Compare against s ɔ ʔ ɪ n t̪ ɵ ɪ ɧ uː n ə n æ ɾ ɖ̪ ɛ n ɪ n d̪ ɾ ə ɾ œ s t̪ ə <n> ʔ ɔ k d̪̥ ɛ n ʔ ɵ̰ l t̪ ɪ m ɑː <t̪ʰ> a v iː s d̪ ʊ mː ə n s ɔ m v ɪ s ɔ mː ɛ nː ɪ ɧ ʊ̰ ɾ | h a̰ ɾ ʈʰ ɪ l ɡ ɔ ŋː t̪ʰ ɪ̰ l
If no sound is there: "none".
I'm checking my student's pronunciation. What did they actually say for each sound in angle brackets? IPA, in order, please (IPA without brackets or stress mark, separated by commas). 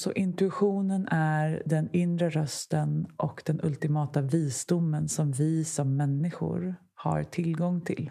n, t̪